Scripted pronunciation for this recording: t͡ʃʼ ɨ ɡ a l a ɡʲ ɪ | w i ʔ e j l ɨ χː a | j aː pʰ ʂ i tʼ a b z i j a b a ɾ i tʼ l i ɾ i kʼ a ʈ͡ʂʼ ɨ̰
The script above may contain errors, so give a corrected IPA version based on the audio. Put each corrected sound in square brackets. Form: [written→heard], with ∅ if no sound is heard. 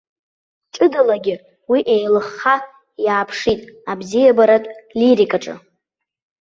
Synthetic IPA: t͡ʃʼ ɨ [ɡ→d] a l a ɡʲ ɪ | w i ʔ e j l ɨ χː a | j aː pʰ ʂ i tʼ a b z i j a b a ɾ [i→a] tʼ l i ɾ i kʼ a ʈ͡ʂʼ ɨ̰